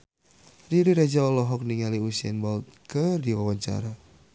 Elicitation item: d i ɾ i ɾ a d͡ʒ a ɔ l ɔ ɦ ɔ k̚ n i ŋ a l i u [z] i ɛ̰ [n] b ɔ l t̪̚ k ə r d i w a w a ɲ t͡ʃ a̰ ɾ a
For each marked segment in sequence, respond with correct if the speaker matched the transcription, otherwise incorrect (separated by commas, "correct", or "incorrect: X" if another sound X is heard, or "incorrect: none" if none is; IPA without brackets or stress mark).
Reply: incorrect: s, correct